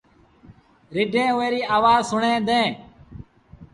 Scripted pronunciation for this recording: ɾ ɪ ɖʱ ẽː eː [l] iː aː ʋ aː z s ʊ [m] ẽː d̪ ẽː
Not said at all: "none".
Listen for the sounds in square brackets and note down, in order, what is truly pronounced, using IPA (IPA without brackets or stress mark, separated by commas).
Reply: ɾ, ɳ